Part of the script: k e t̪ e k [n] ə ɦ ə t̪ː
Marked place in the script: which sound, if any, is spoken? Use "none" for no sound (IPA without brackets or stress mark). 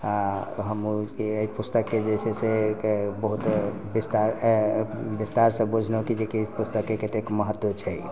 m